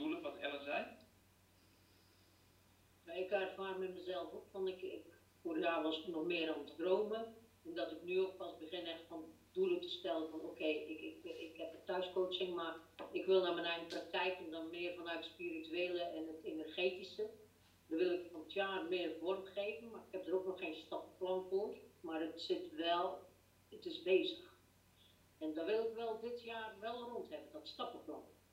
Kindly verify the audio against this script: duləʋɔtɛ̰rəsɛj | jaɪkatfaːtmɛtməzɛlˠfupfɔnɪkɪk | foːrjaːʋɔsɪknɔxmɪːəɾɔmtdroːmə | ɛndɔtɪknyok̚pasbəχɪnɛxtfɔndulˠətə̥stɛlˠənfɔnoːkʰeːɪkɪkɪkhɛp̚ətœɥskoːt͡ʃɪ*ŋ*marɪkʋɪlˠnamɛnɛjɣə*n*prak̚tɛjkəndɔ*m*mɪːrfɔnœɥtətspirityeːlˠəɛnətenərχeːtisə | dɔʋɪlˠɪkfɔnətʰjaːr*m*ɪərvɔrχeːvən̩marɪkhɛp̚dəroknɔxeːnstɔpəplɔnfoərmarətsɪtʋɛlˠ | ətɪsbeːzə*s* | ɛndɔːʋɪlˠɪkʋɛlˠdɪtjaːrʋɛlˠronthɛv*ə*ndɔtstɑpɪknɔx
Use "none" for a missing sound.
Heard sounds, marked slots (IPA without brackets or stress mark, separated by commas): ŋ, n, n, m, x, ə